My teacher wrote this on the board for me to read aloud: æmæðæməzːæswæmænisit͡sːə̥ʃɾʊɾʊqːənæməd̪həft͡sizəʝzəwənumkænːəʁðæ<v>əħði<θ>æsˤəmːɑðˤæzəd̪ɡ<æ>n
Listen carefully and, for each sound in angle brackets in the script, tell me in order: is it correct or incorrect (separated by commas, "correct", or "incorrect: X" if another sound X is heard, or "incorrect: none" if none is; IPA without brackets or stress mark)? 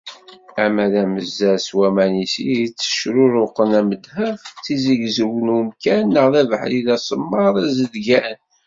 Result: correct, incorrect: ð, correct